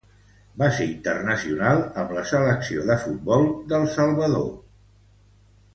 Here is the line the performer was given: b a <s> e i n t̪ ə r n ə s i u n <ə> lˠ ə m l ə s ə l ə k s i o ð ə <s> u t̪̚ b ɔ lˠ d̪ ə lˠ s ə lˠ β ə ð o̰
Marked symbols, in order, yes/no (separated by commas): yes, no, no